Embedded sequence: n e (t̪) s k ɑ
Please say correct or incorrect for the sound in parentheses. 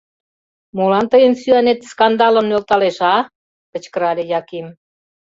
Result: correct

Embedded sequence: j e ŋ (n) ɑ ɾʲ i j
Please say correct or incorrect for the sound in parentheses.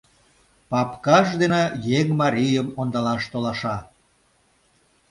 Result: incorrect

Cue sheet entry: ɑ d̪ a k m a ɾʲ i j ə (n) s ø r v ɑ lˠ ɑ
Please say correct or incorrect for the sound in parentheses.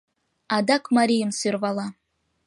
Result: incorrect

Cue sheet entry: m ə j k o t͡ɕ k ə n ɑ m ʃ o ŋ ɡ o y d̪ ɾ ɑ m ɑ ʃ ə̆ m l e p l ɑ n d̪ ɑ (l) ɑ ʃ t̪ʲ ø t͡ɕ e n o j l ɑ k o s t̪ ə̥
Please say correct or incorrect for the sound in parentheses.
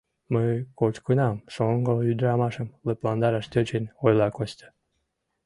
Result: incorrect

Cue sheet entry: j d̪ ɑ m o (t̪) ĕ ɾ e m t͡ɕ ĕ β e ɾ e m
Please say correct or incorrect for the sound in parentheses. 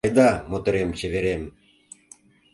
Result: correct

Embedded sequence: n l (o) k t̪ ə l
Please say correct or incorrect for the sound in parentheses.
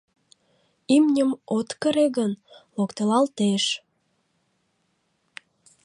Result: correct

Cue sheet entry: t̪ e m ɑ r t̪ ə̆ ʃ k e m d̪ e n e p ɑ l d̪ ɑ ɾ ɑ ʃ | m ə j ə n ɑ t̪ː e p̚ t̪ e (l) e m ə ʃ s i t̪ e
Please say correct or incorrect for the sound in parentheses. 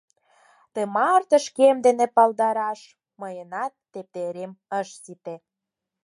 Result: incorrect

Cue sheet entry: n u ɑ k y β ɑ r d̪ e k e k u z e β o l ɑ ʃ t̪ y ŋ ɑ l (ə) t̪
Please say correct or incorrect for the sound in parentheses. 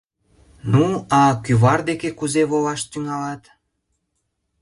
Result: incorrect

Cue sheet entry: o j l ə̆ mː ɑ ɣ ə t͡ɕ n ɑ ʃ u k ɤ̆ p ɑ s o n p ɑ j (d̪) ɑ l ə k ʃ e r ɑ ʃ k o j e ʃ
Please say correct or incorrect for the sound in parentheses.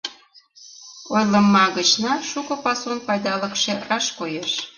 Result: correct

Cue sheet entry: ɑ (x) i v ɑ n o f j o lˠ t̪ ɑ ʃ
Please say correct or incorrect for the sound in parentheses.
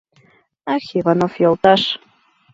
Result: correct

